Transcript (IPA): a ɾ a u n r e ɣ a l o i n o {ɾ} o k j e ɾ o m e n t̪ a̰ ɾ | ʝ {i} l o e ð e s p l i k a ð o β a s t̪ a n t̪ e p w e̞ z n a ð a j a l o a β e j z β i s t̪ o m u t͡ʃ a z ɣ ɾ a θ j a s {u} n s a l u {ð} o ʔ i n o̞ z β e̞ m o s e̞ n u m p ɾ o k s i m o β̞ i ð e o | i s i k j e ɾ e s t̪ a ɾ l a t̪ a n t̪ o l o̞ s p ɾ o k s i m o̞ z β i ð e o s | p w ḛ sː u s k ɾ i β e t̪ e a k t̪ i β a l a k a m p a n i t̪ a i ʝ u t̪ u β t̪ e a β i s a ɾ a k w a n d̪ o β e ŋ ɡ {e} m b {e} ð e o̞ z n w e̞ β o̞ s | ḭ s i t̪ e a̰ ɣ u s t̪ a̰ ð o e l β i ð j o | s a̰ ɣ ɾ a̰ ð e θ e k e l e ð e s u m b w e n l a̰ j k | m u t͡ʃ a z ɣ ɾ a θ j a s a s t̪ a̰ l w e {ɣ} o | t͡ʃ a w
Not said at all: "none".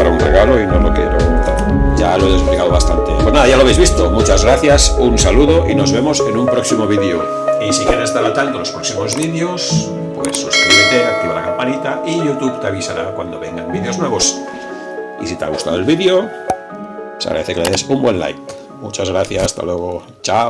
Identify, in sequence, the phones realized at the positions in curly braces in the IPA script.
l, a, u, ð, a, i, ɣ

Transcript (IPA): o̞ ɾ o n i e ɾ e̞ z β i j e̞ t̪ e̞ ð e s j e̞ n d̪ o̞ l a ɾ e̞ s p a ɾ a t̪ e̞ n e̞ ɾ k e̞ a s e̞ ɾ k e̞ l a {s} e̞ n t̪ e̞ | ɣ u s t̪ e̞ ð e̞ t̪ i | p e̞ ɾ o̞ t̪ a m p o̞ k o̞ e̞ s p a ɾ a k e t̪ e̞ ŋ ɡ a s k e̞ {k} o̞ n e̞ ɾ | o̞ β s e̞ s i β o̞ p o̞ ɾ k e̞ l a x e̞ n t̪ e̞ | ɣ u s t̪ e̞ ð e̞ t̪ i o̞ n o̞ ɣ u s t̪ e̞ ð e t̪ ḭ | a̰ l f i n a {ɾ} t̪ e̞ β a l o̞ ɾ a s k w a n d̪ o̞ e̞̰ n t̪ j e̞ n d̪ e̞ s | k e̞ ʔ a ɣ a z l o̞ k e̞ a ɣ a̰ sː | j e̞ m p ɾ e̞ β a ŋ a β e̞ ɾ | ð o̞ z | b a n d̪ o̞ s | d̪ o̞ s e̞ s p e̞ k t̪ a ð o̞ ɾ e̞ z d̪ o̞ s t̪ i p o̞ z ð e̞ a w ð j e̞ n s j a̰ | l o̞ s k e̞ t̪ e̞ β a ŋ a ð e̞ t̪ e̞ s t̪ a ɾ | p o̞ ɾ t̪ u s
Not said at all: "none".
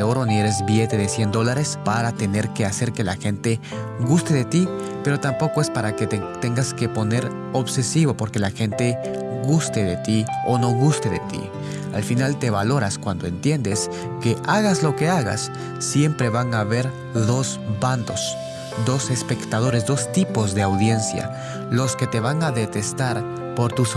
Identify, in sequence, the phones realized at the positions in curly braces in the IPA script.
x, p, l

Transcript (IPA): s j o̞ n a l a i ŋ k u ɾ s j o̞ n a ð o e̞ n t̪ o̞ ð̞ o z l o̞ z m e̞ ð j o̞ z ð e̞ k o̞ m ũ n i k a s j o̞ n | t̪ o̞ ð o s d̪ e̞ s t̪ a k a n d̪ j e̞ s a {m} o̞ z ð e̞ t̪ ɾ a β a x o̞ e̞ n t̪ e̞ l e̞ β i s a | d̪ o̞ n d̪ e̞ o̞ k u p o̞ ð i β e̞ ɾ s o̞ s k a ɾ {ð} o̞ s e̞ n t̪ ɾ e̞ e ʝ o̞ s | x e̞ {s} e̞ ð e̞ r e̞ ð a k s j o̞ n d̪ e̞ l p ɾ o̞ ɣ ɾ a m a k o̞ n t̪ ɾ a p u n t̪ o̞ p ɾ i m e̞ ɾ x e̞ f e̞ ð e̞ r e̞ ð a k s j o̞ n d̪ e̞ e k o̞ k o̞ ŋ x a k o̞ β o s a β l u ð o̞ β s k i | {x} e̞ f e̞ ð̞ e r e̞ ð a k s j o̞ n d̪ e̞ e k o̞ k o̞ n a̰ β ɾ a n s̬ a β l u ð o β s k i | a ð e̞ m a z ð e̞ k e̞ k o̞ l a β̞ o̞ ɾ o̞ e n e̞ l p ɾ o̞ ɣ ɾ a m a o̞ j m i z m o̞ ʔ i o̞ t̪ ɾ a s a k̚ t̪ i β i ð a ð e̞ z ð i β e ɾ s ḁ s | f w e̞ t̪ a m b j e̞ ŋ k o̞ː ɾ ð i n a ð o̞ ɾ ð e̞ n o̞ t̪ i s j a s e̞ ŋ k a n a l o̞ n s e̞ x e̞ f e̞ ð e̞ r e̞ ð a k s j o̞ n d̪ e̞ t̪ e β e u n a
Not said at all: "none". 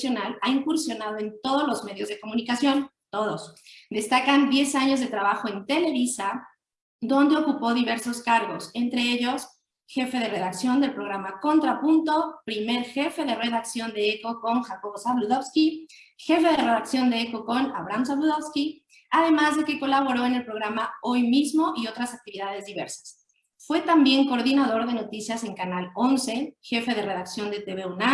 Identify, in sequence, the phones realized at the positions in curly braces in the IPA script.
ɲ, ɣ, f, x

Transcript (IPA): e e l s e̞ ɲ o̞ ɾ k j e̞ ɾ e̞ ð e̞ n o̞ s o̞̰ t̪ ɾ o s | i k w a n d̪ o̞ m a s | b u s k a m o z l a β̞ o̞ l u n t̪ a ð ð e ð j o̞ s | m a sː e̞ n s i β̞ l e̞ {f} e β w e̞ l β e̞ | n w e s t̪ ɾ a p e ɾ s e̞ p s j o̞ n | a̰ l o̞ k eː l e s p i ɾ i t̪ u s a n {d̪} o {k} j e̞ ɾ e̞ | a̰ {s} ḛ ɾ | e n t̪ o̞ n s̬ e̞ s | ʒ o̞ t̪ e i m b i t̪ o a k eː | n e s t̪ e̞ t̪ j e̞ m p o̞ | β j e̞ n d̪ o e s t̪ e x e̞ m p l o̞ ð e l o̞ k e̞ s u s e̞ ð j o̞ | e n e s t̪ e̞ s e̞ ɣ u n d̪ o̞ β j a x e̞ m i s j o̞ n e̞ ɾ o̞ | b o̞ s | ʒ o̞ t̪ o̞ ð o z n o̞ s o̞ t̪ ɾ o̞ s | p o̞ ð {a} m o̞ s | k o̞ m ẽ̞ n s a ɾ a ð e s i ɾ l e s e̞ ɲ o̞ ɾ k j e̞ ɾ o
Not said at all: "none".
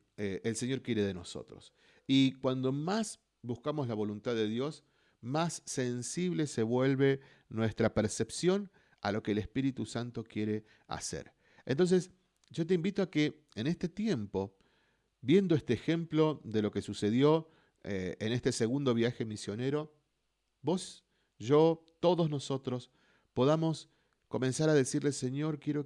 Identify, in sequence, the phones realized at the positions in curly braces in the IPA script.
s, t̪, k, s, a

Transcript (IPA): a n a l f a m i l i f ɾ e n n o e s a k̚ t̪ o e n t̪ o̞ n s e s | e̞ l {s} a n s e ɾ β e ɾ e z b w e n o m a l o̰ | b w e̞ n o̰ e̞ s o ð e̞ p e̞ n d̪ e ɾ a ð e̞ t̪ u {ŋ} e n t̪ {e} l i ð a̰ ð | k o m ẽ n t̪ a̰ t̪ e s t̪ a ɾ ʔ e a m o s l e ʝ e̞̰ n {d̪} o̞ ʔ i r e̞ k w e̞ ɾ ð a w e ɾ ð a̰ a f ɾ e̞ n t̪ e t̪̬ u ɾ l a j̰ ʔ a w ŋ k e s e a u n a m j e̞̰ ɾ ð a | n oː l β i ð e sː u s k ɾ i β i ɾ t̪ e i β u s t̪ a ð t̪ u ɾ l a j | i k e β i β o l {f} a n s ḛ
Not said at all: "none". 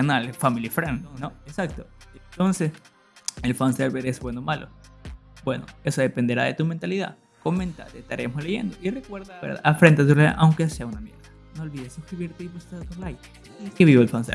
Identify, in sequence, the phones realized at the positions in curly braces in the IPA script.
f, m, a, d̪, f

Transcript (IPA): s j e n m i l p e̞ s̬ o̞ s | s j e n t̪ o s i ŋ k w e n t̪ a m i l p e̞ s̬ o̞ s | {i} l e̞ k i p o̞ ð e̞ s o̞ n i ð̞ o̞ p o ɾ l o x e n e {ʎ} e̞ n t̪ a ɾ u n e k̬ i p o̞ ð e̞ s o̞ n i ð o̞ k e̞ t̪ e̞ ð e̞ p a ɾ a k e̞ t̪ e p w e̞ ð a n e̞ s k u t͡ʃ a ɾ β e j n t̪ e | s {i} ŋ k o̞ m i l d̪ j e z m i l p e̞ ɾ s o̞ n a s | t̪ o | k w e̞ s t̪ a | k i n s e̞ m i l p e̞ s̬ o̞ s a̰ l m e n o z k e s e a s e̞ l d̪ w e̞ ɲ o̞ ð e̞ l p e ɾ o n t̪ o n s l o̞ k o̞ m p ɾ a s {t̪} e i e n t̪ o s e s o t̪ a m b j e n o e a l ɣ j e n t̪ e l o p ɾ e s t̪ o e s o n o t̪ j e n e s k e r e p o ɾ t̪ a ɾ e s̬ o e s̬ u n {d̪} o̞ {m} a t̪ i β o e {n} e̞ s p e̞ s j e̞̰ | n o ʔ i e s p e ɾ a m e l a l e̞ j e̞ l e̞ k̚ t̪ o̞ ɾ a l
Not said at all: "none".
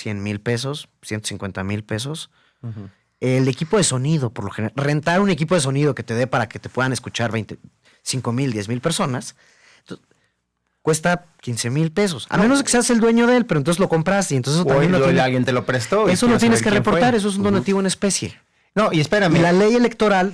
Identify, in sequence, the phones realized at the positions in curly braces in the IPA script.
e, r, i, t̪, d̪, n, n

